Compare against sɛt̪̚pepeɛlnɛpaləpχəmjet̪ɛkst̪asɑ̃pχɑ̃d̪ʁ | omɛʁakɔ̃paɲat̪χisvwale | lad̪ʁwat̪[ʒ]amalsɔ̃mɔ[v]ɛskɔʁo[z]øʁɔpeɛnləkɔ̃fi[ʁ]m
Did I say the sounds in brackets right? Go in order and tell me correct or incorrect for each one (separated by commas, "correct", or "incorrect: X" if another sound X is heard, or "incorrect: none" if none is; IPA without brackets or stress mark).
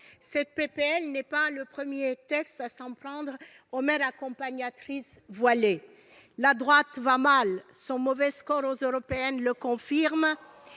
incorrect: v, correct, correct, correct